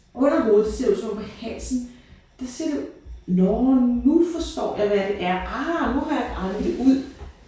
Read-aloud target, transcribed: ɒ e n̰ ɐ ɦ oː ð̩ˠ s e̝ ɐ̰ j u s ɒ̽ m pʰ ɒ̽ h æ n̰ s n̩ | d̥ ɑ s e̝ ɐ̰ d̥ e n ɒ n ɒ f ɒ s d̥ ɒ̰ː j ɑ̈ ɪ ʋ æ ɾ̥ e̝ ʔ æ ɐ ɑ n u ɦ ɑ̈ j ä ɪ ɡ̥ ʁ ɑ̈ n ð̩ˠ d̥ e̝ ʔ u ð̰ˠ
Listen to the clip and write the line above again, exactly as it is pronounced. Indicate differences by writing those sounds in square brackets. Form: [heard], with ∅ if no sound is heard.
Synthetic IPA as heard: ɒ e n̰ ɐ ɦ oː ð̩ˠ s e̝ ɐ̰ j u s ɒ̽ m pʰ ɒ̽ h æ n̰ s n̩ | d̥ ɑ s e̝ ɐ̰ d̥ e n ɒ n [u] f ɒ s d̥ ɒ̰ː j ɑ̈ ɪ ʋ æ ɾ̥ e̝ ʔ æ ɐ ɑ n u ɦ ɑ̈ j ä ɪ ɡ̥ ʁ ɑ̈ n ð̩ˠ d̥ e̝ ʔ u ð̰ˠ

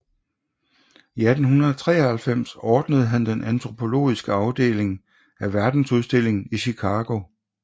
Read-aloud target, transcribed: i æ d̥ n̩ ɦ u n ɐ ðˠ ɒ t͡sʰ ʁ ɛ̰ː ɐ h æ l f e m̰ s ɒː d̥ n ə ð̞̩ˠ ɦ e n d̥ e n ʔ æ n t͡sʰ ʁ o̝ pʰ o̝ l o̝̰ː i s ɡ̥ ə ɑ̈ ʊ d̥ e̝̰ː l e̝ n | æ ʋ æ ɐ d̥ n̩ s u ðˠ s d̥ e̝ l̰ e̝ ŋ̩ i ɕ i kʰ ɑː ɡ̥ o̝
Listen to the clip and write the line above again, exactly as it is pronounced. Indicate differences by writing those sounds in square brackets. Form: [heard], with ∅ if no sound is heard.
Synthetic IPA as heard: i æ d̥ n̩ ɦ u n ɐ ðˠ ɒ t͡sʰ ʁ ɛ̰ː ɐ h æ l f e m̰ s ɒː d̥ n ə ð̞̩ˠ ɦ [æ] n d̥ e n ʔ æ n t͡sʰ ʁ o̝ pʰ o̝ l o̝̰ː i s ɡ̥ ə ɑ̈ ʊ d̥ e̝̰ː l e̝ [ŋ] | æ ʋ æ ɐ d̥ n̩ s u ðˠ s d̥ e̝ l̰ e̝ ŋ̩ i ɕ i kʰ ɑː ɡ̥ o̝

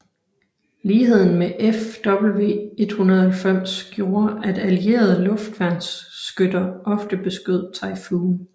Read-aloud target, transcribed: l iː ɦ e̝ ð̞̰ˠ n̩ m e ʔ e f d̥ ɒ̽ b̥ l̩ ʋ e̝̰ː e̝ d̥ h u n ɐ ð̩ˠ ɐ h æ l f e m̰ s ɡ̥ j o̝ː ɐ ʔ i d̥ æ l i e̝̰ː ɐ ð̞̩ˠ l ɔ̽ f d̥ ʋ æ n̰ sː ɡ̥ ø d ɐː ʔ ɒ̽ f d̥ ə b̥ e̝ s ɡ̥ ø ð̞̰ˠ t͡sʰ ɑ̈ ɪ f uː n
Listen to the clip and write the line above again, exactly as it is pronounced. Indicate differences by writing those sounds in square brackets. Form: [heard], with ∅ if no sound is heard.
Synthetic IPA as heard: l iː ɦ e̝ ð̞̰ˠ n̩ m e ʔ e f d̥ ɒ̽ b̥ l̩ ʋ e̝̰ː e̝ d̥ h u n ɐ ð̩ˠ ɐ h æ l f e m̰ s ɡ̥ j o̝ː ɐ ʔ [æ] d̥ æ l i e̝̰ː ɐ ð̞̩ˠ l ɔ̽ f d̥ ʋ æ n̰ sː ɡ̥ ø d [ɐ] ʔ ɒ̽ f d̥ ə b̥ e̝ s ɡ̥ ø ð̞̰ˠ t͡sʰ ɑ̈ ɪ f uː n

